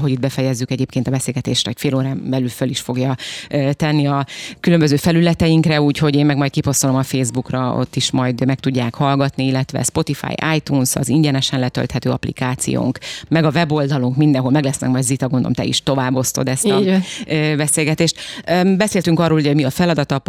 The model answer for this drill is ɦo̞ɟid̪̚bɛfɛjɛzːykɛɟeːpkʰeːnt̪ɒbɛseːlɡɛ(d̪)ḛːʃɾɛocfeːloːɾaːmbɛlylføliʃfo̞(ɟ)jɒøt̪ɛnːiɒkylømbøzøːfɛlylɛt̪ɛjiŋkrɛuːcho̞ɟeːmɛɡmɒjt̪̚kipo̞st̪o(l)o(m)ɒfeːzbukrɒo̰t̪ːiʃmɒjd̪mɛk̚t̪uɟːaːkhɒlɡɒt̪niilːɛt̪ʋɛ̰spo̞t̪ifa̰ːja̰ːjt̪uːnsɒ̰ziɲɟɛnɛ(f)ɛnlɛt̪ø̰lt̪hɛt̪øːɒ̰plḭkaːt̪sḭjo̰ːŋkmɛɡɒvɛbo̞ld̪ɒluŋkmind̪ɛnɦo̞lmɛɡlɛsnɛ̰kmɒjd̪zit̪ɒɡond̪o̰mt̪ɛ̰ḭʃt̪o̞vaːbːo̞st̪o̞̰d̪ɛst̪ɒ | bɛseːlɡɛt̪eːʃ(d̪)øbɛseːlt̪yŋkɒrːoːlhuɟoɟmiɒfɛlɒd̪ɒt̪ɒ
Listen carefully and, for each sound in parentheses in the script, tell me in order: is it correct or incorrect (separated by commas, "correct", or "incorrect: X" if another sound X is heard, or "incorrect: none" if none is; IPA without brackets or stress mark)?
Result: incorrect: t̪, incorrect: ɡ, correct, correct, incorrect: ʃ, incorrect: t̪